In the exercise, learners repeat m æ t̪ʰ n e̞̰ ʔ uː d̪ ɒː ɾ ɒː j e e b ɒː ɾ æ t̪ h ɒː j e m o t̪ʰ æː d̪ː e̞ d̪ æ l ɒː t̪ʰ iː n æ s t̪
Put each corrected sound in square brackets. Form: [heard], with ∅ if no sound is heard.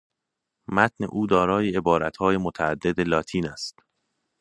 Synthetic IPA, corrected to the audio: m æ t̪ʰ n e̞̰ ʔ uː d̪ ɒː ɾ ɒː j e e b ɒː ɾ æ t̪ h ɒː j e m o t̪ʰ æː d̪ː e̞ d̪ [e] l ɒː t̪ʰ iː n æ s t̪

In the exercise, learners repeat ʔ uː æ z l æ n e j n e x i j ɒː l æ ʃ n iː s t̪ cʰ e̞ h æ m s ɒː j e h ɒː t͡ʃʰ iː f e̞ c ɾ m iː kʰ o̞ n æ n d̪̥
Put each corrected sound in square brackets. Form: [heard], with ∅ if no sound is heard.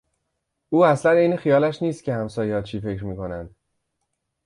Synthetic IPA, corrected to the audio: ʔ uː æ [s] l æ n e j n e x i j ɒː l æ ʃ n iː s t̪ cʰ e̞ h æ m s ɒː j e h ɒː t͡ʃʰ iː f e̞ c ɾ m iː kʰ o̞ n æ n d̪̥

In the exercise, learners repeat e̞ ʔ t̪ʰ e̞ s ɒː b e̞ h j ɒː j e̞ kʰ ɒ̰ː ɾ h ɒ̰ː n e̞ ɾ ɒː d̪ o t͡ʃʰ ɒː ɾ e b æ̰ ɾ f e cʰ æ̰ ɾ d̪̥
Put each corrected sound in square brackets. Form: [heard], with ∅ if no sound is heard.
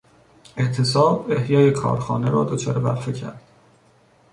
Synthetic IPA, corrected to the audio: e̞ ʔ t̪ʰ e̞ s ɒː b e̞ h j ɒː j e̞ kʰ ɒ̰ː ɾ [x] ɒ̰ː n e̞ ɾ ɒː d̪ o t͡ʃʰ ɒː ɾ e b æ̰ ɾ f e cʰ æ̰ ɾ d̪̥

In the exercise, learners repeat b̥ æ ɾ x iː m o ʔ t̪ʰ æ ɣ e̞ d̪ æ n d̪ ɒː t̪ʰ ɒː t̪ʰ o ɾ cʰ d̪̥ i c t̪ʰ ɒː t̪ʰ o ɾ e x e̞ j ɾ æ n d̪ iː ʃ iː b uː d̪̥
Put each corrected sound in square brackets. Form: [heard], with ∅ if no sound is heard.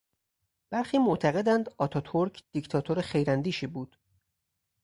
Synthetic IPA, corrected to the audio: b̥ æ ɾ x iː m o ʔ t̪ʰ æ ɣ e̞ d̪ æ n d̪ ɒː t̪ʰ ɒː t̪ʰ o ɾ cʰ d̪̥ i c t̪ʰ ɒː t̪ʰ o ɾ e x e̞ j ɾ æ n d̪ iː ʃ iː b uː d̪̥

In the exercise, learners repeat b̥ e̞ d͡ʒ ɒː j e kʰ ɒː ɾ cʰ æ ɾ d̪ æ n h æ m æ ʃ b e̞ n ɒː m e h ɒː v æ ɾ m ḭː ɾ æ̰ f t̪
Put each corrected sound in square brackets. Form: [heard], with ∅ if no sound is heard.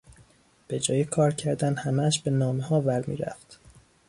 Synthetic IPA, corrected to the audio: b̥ e̞ d͡ʒ ɒː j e kʰ ɒː ɾ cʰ æ ɾ d̪ æ n h æ m æ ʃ b e̞ n ɒː m e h ɒː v æ ɾ m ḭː ɾ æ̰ f t̪

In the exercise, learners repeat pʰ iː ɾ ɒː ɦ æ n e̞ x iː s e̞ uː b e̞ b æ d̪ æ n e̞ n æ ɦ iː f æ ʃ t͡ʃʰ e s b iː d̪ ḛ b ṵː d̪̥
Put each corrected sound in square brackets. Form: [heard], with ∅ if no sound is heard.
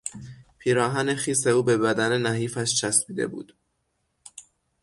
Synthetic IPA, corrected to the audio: pʰ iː ɾ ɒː ɦ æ n e̞ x iː s e̞ uː b e̞ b æ d̪ æ n e̞ n æ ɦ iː f æ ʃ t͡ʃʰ [æ] s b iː d̪ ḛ b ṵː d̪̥

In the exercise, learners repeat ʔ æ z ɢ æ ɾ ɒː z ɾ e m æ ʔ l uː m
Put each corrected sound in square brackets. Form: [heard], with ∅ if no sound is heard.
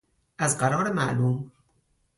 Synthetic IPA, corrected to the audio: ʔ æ z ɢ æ ɾ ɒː [∅] ɾ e m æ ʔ l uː m

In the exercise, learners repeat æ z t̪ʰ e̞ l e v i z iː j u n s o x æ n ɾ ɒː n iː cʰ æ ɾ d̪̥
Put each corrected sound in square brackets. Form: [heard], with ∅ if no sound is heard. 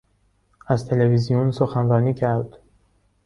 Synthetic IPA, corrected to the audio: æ z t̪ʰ e̞ l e v i z [i] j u n s o x æ n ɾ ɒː n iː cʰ æ ɾ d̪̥

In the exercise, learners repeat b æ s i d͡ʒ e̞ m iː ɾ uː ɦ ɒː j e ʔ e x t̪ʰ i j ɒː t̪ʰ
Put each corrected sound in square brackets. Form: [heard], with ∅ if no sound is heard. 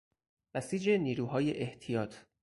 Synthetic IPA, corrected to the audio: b æ s [iː] d͡ʒ e̞ [n] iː ɾ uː ɦ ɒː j e ʔ e [h] t̪ʰ i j ɒː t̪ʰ

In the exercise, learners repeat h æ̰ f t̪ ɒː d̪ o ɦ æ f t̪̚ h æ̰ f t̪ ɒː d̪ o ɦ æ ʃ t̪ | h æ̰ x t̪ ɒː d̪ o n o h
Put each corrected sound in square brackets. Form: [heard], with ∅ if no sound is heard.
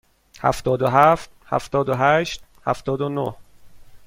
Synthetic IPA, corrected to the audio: h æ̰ f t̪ ɒː d̪ o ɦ æ f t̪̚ h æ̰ f t̪ ɒː d̪ o ɦ æ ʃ t̪ | h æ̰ [f] t̪ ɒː d̪ o n o h

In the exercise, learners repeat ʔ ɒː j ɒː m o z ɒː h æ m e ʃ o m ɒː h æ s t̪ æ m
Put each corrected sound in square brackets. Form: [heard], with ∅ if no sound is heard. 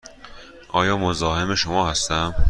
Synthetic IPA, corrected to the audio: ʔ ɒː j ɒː m o z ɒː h [e] m e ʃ o m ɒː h æ s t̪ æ m

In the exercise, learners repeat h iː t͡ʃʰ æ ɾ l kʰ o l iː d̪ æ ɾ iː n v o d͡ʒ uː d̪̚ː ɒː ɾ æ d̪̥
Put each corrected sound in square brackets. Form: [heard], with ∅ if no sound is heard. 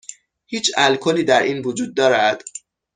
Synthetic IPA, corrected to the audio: h iː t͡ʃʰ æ [∅] l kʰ o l iː d̪ æ ɾ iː n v o d͡ʒ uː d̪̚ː ɒː ɾ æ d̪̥

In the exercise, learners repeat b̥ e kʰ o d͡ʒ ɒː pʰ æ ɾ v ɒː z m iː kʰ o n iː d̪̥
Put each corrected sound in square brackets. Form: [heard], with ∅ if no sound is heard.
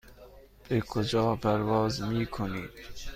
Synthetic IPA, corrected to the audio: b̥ e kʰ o d͡ʒ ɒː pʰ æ ɾ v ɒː z m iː kʰ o n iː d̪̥

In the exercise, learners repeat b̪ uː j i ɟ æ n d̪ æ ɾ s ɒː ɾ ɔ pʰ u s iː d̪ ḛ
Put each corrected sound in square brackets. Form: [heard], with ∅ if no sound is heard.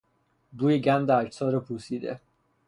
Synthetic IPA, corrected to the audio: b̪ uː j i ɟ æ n d̪ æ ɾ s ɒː ɾ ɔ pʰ u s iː d̪ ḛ

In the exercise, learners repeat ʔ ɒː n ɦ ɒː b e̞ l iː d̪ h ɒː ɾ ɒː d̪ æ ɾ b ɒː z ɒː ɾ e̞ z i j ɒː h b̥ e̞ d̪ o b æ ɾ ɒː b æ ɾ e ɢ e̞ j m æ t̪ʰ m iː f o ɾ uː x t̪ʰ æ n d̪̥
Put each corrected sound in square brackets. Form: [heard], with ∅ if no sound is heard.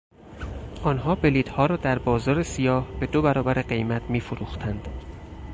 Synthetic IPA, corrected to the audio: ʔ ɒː n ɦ ɒː b e̞ l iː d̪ h ɒː ɾ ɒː d̪ æ ɾ b ɒː z ɒː ɾ e̞ [s] i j ɒː h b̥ e̞ d̪ o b æ ɾ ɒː b æ ɾ e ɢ e̞ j m æ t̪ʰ m iː f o ɾ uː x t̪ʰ æ n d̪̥

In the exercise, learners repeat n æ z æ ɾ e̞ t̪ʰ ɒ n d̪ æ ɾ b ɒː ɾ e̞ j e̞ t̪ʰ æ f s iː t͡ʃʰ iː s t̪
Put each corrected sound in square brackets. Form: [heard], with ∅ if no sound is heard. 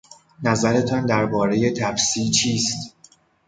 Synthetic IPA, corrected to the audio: n æ z æ ɾ e̞ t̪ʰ ɒ n d̪ æ ɾ b ɒː ɾ e̞ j e̞ t̪ʰ æ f s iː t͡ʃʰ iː s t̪

